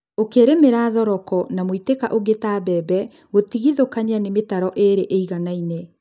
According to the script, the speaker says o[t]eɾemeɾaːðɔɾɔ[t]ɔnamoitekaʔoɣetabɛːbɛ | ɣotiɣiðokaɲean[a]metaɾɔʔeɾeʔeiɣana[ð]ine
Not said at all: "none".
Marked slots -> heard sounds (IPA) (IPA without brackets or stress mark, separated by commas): k, k, e, none